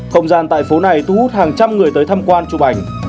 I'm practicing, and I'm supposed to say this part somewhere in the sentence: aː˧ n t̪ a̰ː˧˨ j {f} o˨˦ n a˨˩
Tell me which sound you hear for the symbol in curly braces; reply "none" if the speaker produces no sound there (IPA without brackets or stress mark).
f